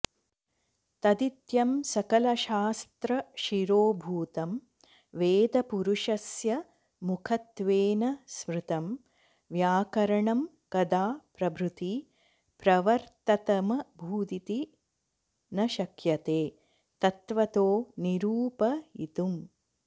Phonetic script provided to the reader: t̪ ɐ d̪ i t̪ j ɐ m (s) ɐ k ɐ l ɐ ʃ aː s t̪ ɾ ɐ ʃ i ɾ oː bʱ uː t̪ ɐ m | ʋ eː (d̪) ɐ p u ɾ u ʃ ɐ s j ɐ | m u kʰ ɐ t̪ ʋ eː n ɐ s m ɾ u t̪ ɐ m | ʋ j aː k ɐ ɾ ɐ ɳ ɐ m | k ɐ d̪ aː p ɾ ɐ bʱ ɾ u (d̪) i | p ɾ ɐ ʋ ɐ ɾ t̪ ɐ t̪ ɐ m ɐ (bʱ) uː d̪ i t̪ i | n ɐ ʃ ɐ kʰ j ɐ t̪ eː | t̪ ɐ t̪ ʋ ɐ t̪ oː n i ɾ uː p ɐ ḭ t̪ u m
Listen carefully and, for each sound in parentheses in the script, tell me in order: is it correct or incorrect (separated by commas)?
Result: correct, correct, incorrect, correct